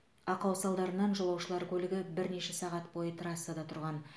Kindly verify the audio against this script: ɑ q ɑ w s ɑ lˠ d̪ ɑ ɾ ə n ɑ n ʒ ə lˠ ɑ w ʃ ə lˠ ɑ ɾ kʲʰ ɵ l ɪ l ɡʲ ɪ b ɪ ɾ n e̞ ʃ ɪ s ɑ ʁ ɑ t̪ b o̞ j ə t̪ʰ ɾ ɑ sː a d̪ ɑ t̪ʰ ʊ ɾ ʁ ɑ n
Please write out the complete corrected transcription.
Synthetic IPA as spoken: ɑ q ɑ w s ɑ lˠ d̪ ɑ ɾ ə n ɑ n ʒ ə lˠ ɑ w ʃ ə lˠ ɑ ɾ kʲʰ ɵ l ɪ ɡʲ ɪ b ɪ ɾ n e̞ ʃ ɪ s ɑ ʁ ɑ t̪ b o̞ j ə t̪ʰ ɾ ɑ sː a d̪ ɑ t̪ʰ ʊ ɾ ʁ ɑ n